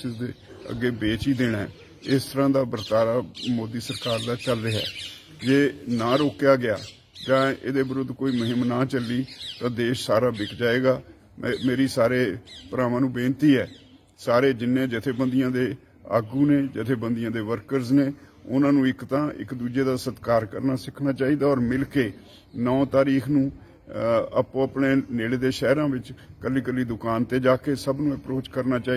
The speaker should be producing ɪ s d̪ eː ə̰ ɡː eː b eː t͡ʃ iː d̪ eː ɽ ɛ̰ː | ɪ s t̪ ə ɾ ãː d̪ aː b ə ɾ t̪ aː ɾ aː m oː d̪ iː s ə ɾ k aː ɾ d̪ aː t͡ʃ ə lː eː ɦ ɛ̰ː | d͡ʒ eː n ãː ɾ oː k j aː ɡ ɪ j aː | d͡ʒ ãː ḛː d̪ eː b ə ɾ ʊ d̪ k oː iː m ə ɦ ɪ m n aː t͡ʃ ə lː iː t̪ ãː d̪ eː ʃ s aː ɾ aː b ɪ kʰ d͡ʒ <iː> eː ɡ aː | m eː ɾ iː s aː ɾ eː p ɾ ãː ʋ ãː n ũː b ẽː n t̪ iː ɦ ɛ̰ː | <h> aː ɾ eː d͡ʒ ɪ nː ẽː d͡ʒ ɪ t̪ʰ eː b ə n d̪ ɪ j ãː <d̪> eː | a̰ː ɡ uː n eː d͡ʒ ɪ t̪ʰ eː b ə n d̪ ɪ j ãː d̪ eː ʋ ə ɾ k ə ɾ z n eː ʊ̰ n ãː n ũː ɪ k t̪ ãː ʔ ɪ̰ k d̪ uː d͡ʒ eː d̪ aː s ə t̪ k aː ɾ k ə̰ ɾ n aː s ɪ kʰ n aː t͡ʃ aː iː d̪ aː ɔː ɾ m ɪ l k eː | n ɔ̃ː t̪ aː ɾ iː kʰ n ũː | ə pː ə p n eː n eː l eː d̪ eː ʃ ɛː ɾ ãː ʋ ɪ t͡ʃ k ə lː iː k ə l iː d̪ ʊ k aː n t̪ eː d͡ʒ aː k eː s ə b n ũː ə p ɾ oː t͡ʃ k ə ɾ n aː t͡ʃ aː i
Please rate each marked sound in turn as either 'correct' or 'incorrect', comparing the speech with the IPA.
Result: incorrect, incorrect, correct

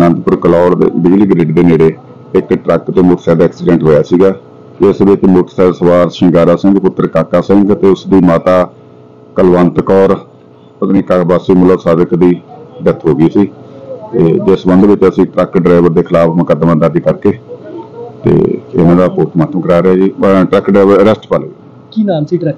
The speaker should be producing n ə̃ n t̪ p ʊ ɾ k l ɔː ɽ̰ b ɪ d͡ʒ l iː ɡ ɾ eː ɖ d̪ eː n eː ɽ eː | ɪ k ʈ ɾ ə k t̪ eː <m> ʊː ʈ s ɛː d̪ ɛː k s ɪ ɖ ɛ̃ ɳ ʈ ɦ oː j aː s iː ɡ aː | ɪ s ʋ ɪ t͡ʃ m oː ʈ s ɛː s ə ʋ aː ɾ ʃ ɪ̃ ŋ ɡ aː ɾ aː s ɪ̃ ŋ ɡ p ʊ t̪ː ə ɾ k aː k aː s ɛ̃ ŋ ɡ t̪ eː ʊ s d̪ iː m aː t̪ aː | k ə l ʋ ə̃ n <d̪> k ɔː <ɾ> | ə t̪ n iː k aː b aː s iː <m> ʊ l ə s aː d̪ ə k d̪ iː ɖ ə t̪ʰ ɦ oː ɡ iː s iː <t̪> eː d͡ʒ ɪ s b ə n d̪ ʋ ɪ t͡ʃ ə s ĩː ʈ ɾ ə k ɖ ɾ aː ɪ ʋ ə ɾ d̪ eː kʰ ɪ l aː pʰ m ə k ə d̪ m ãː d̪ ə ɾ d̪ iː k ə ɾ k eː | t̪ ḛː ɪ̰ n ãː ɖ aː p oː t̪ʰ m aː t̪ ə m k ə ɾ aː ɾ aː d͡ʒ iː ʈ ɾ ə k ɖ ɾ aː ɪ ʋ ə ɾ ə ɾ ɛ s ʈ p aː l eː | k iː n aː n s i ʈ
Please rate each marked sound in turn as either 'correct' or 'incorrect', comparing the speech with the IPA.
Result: correct, incorrect, correct, correct, correct

